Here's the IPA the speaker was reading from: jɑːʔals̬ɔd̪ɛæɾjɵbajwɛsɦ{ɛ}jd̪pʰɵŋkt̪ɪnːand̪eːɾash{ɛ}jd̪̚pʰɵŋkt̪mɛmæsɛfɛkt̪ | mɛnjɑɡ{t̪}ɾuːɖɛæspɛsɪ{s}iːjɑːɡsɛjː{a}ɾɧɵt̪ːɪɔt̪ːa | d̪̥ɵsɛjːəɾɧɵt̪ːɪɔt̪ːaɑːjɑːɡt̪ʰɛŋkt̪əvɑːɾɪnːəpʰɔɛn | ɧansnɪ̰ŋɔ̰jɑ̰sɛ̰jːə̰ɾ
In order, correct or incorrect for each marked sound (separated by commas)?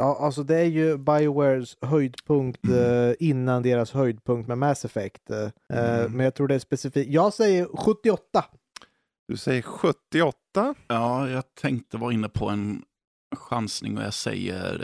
incorrect, incorrect, incorrect, incorrect, incorrect